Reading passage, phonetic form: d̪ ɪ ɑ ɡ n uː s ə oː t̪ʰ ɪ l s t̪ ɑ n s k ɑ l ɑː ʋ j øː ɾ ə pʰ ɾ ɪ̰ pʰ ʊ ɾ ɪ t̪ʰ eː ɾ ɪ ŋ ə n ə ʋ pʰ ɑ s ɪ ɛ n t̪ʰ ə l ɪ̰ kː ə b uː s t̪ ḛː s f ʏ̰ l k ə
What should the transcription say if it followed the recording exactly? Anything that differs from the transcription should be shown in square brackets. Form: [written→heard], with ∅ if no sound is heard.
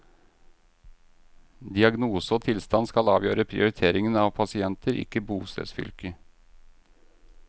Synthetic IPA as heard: d̪ ɪ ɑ ɡ n uː s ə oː t̪ʰ ɪ l s t̪ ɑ n s k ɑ l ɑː ʋ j øː ɾ ə pʰ ɾ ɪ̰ [pʰ→∅] ʊ ɾ ɪ t̪ʰ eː ɾ ɪ ŋ ə n [ə→ɑ] ʋ pʰ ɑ s ɪ ɛ n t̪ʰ ə [l→ɾ] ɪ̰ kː ə b uː s t̪ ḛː s f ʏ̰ l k ə